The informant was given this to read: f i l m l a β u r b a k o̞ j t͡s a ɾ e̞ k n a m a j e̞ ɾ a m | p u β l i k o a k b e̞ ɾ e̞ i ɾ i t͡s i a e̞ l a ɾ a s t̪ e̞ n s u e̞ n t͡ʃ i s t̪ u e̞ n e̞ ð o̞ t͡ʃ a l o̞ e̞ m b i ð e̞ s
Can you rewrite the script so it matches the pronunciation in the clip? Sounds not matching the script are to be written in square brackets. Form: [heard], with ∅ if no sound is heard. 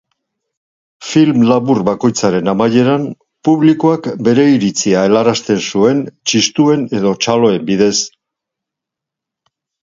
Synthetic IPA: f i l m l a β u r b a k o̞ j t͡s a ɾ e̞ [∅] n a m a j e̞ ɾ a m | p u β l i k o a k b e̞ ɾ e̞ i ɾ i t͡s i a e̞ l a ɾ a s t̪ e̞ n s u e̞ n t͡ʃ i s t̪ u e̞ n e̞ ð o̞ t͡ʃ a l o̞ e̞ m b i ð e̞ s